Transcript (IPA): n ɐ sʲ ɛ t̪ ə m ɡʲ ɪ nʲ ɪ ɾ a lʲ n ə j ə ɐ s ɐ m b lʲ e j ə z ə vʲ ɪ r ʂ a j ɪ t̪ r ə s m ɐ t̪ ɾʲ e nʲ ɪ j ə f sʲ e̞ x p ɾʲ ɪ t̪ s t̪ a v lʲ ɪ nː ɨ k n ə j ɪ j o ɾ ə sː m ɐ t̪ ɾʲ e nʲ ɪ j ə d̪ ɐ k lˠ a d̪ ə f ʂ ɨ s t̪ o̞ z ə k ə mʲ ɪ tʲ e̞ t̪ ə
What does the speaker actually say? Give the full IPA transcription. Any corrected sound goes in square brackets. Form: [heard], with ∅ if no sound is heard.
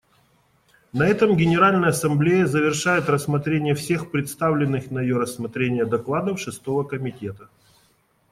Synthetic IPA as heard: n ɐ [∅] ɛ t̪ ə m ɡʲ ɪ nʲ ɪ ɾ a lʲ n ə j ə ɐ s ɐ m b lʲ e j ə z ə vʲ ɪ r ʂ a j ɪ t̪ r ə s m ɐ t̪ ɾʲ e nʲ ɪ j ə f sʲ e̞ x p ɾʲ ɪ t̪ s t̪ a v lʲ ɪ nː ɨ [x] n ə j ɪ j o ɾ ə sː m ɐ t̪ ɾʲ e nʲ ɪ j ə d̪ ɐ k lˠ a d̪ ə f ʂ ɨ s t̪ o̞ [v] ə k ə mʲ ɪ tʲ e̞ t̪ ə